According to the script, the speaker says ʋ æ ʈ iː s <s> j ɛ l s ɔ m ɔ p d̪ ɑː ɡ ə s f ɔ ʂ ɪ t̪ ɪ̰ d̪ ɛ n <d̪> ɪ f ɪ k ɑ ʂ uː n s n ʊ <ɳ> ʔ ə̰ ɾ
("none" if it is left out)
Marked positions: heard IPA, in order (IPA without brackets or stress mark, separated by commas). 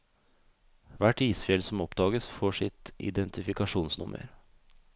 f, t̪, m